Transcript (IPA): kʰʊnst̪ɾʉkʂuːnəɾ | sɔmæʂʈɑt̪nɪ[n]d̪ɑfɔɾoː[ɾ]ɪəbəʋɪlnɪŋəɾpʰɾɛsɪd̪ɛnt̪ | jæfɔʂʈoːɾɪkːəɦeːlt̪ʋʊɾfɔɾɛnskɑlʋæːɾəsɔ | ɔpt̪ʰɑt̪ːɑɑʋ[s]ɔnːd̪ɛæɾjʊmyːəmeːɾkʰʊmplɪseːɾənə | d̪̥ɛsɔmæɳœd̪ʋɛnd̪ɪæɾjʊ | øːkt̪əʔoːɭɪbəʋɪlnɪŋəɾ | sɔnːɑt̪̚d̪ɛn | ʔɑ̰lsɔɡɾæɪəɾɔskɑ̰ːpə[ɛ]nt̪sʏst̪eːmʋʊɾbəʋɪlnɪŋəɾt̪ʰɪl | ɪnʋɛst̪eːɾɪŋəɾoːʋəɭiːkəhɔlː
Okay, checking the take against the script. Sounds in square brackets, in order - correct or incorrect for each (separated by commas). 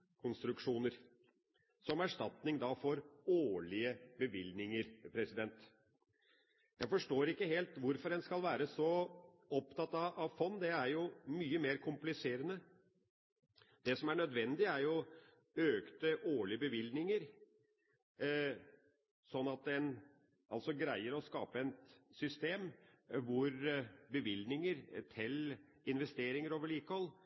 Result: incorrect, incorrect, incorrect, correct